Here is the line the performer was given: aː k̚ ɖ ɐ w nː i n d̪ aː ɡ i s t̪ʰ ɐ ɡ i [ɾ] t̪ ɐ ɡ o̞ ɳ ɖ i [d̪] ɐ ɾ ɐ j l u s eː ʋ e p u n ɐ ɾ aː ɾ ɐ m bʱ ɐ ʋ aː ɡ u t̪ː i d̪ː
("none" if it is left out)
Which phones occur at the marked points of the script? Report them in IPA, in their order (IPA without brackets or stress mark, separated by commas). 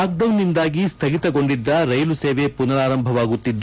none, d̪ː